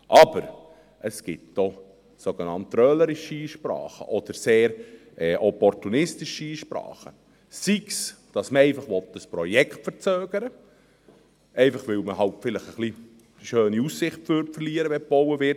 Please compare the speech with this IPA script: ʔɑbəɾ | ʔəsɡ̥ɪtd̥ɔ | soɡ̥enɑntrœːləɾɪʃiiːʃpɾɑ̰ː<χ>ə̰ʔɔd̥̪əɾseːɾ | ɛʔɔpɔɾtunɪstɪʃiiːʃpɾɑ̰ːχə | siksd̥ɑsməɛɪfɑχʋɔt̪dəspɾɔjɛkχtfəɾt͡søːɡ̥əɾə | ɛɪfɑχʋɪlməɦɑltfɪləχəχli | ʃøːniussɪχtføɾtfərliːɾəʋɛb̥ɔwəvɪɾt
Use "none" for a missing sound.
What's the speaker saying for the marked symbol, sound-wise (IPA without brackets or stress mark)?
χ